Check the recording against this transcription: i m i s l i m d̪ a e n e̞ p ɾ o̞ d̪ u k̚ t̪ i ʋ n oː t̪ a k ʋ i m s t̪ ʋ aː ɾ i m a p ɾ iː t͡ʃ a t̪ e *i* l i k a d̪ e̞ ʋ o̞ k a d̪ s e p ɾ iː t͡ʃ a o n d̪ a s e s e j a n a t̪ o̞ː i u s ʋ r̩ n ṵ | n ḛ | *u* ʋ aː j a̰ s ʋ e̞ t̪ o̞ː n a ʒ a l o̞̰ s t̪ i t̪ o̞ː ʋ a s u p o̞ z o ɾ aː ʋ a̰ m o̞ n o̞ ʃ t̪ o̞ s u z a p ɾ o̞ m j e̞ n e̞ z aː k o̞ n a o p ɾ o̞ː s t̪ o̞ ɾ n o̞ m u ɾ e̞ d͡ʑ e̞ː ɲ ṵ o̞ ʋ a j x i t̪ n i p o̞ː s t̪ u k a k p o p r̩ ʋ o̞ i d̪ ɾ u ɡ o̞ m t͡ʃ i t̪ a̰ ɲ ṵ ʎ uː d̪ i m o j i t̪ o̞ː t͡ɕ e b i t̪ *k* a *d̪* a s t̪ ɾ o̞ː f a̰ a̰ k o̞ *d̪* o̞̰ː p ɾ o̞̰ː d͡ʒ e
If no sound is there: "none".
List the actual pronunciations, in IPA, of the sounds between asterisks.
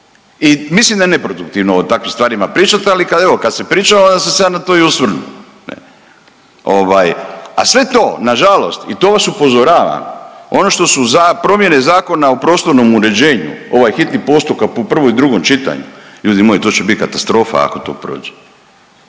a, o, k, t̪, t̪

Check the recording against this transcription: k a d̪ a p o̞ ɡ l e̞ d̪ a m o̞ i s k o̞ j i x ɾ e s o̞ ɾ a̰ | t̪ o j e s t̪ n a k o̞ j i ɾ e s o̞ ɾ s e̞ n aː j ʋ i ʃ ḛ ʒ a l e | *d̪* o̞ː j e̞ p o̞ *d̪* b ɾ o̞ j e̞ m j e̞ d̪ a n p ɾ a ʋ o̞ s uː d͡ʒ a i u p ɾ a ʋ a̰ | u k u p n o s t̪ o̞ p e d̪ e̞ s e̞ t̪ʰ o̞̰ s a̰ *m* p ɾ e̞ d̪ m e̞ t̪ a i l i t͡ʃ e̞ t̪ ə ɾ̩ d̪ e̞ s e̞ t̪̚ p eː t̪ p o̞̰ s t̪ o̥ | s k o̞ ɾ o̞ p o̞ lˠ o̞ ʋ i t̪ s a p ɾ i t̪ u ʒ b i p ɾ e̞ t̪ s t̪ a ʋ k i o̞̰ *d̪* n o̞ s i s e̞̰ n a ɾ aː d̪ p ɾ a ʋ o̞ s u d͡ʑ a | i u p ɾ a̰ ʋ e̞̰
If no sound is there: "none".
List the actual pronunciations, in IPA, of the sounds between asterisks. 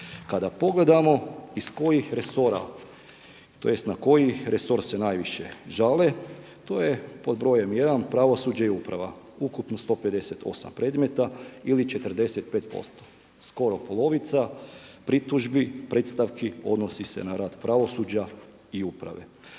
t̪, d̪, m, d̪

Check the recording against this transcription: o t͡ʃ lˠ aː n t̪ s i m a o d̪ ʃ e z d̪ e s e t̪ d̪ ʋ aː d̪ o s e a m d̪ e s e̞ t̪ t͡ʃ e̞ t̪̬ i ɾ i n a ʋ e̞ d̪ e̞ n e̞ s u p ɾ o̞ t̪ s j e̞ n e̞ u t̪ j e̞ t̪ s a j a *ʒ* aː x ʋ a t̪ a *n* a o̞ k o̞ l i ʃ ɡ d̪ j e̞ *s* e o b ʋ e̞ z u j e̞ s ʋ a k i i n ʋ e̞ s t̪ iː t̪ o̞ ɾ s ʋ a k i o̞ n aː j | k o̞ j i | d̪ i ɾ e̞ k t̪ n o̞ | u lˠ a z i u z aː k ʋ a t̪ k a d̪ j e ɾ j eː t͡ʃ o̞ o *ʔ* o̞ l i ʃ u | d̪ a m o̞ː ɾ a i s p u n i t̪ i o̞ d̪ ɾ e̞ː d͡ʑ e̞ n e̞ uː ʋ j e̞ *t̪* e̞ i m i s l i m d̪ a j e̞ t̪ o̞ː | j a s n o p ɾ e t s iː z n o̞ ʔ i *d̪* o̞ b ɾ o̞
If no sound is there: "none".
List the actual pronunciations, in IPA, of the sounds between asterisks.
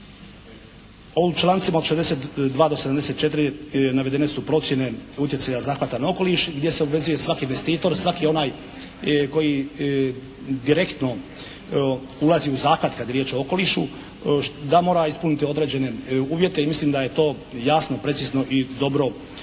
z, n, s, k, t̪, d̪

